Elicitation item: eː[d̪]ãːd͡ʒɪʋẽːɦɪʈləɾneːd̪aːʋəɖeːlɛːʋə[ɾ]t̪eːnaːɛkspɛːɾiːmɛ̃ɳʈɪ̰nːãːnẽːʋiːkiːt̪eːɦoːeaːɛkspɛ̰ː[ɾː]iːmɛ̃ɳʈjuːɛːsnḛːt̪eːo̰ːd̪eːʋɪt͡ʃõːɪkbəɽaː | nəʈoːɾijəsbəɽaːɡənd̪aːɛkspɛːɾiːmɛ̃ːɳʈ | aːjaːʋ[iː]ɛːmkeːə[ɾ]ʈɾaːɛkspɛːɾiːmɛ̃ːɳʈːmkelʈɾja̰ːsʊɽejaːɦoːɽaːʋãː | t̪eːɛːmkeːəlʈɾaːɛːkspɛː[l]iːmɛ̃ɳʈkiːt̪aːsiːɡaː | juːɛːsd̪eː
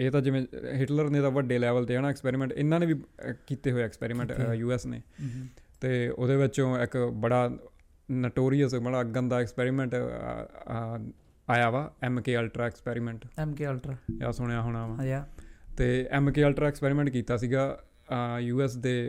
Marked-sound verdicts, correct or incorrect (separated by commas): incorrect, incorrect, incorrect, incorrect, incorrect, incorrect